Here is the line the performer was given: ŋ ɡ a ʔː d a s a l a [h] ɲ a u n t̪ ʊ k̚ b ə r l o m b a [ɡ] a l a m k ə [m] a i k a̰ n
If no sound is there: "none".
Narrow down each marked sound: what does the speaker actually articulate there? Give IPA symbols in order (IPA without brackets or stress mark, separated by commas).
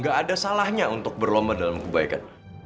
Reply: h, d, b